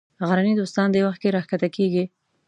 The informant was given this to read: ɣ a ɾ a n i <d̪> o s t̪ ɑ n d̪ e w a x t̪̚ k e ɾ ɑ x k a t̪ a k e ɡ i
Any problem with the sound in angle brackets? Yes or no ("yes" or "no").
no